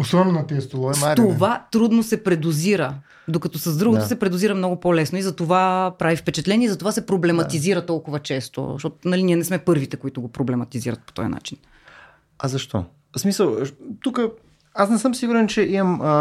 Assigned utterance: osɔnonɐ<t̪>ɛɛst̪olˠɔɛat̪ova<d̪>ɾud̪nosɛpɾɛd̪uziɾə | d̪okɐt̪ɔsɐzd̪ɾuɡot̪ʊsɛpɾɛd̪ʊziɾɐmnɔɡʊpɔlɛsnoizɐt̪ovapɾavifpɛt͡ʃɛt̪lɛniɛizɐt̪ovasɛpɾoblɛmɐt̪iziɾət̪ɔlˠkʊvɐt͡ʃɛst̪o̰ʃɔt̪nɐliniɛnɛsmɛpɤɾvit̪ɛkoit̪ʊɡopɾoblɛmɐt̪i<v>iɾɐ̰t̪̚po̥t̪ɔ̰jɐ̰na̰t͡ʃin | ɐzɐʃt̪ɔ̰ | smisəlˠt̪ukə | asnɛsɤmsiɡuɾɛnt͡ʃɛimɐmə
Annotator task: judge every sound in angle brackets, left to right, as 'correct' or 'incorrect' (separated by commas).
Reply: correct, incorrect, incorrect